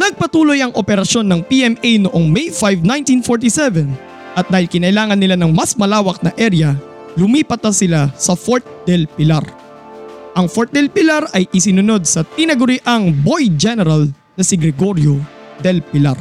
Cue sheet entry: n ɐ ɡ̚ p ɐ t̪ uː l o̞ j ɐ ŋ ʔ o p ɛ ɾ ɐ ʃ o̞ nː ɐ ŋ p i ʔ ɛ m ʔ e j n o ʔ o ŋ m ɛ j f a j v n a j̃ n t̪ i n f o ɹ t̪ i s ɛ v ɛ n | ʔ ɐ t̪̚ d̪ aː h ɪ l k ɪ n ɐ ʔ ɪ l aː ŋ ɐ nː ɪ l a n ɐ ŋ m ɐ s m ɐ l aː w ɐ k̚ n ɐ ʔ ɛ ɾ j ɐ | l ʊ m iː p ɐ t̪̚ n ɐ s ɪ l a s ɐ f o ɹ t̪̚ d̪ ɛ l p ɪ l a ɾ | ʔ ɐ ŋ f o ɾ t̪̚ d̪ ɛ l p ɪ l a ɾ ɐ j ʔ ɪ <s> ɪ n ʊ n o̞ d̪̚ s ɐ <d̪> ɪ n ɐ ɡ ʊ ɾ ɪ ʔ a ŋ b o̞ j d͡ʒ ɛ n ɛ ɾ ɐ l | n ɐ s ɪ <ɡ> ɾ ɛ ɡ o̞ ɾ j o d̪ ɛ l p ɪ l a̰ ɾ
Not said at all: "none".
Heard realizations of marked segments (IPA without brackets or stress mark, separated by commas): s, t̪, ɡ